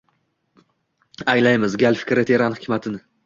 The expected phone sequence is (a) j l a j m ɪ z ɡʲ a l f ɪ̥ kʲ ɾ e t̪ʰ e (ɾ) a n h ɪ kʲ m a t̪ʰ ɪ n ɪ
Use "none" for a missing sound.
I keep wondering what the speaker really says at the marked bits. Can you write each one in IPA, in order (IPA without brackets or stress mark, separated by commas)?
a, ɾ